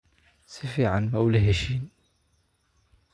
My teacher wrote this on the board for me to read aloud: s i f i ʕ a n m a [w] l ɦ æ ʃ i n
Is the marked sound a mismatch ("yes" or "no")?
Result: no